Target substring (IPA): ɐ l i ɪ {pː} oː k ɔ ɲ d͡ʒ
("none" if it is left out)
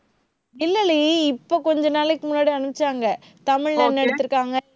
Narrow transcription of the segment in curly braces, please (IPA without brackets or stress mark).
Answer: pː